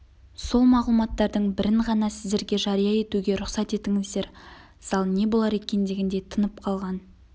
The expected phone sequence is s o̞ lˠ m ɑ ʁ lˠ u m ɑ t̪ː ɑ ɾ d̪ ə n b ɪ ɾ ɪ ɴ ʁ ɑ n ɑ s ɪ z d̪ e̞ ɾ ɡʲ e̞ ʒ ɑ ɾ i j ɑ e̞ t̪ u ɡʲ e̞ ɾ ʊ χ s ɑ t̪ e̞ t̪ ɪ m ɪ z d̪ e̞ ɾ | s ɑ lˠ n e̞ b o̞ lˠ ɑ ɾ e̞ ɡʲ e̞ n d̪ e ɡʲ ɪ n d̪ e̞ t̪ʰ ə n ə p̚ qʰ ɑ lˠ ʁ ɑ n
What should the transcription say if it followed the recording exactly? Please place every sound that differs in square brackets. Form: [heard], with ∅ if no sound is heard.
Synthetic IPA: s o̞ lˠ m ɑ ʁ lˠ u m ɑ t̪ː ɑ ɾ d̪ ə [ɴ] b ɪ ɾ ɪ ɴ ʁ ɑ n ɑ s ɪ z d̪ e̞ ɾ ɡʲ e̞ ʒ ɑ ɾ i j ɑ e̞ t̪ u ɡʲ e̞ ɾ ʊ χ s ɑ t̪ e̞ t̪ ɪ [ŋ] ɪ z d̪ e̞ ɾ | s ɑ lˠ n e̞ b o̞ lˠ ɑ ɾ e̞ [kʲ] e̞ n d̪ e ɡʲ ɪ n d̪ e̞ t̪ʰ ə n ə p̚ qʰ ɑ lˠ ʁ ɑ n